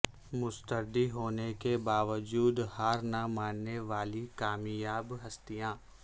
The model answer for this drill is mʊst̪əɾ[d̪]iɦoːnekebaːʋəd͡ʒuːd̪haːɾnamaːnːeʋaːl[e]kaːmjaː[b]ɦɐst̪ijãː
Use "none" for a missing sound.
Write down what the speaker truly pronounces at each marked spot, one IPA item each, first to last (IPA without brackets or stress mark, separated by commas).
d̪, i, b